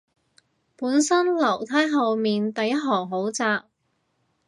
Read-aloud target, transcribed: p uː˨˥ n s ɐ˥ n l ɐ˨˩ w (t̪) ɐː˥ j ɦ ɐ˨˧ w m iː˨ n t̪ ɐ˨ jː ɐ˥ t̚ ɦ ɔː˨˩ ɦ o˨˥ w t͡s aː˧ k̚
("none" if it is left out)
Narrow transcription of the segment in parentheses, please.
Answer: t̪ʰ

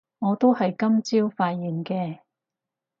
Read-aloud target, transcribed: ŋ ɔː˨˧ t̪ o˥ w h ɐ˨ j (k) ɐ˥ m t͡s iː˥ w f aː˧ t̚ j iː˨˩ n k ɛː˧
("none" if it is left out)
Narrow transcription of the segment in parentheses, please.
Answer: k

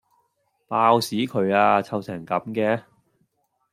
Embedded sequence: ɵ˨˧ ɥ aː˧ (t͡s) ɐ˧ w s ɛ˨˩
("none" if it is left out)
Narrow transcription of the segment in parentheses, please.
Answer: t͡sʰ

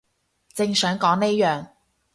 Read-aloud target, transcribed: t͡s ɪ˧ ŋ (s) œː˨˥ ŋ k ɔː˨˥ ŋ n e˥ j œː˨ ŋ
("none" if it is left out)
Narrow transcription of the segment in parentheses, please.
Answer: s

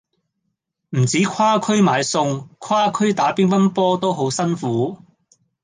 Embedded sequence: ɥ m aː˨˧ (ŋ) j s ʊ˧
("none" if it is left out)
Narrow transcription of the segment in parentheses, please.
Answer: none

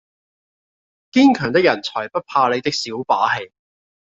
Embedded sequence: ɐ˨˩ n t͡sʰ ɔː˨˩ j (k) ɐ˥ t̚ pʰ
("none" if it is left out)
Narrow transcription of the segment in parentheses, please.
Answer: p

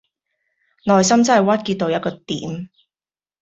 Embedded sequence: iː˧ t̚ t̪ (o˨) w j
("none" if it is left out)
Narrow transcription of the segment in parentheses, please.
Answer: o˨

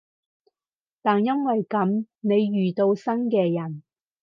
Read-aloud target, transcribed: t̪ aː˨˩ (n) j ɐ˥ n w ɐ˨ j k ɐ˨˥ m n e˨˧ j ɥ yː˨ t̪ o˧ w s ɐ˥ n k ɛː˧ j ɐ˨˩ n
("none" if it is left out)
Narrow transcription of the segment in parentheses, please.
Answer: n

